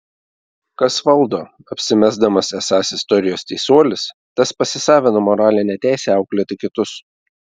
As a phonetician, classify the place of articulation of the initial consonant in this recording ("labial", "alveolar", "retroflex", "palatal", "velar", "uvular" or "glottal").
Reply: velar